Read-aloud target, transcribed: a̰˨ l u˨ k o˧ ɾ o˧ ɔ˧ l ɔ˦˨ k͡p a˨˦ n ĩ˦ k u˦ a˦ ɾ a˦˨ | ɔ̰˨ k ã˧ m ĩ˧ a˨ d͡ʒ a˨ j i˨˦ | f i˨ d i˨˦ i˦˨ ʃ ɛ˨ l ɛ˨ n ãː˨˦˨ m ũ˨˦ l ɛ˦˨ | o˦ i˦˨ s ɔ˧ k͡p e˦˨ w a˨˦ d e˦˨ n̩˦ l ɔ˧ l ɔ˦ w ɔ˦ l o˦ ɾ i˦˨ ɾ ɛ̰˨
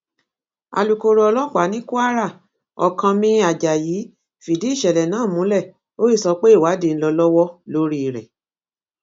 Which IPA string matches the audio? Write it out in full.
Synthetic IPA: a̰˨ l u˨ k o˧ ɾ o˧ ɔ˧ l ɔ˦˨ k͡p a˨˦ n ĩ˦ k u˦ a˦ ɾ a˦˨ | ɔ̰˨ k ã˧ m ĩ˧ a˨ d͡ʒ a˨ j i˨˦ | f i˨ d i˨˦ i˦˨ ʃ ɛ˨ l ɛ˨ n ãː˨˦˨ m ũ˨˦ l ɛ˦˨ | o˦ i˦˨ s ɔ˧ k͡p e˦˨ w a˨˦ d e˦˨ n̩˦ l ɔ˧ l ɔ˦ w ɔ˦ l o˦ ɾ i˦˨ ɾ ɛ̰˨